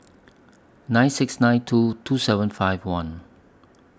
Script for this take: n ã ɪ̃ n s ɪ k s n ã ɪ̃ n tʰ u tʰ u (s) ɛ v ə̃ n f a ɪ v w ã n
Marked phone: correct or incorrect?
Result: correct